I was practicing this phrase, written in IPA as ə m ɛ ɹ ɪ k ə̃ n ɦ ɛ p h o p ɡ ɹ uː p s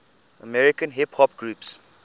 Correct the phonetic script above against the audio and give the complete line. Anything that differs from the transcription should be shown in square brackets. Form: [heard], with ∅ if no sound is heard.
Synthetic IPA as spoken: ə m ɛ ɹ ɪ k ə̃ n ɦ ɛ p h [ɔ] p ɡ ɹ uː p s

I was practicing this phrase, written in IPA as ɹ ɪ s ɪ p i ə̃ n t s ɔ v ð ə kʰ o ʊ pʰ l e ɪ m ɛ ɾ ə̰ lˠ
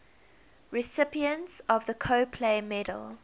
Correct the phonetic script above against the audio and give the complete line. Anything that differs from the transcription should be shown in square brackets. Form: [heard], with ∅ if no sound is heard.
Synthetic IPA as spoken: ɹ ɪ s ɪ p i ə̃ n t s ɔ v ð ə kʰ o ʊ pʰ l e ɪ m ɛ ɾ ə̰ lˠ

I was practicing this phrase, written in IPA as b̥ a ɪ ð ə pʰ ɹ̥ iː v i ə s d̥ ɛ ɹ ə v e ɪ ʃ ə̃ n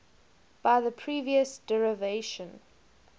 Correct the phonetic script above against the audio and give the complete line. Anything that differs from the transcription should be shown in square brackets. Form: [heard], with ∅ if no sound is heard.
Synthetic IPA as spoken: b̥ a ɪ ð ə pʰ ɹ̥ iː v i ə s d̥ ɛ ɹ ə v e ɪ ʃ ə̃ n

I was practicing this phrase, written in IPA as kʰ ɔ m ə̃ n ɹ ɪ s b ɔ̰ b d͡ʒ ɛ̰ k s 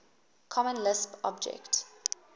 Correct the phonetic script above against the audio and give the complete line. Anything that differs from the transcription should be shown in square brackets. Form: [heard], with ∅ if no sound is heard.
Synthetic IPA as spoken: kʰ ɔ m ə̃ n [l] ɪ s [p] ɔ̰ b d͡ʒ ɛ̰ k [t]

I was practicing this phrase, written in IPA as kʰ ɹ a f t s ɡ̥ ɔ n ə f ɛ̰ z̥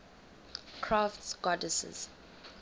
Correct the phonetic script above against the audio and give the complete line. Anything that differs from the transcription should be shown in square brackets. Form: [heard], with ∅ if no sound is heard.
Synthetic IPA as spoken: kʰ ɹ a f t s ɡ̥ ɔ [d] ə [s] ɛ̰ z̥

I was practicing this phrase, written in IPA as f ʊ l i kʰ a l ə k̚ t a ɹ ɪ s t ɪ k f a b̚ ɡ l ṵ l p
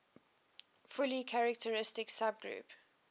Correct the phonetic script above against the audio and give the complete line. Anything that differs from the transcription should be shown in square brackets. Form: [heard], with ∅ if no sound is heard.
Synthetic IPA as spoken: f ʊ l i kʰ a [ɹ] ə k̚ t [ə] ɹ ɪ s t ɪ k [s] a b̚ ɡ [ɹ] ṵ [∅] p

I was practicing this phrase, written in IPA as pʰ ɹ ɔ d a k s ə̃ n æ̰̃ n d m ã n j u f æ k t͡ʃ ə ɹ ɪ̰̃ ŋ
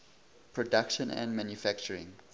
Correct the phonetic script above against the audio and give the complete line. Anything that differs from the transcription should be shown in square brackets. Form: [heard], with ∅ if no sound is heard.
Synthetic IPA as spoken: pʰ ɹ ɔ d a k [ʃ] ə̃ n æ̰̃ n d m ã n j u f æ k t͡ʃ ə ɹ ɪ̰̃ ŋ

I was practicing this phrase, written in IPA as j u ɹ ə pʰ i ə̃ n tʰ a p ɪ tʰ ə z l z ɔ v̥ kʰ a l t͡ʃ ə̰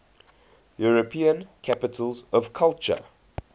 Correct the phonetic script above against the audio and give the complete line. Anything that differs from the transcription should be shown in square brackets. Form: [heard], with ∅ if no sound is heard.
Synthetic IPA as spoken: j u ɹ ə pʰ i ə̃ n [kʰ] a p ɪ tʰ ə [∅] l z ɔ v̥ kʰ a l t͡ʃ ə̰

